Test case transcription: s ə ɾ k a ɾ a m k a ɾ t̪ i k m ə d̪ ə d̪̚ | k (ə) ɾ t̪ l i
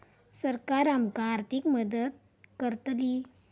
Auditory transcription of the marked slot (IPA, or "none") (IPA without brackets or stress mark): ə